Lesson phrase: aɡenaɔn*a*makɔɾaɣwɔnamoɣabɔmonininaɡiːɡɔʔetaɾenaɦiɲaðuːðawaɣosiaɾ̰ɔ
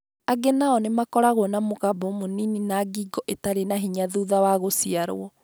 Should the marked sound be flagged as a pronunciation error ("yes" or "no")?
yes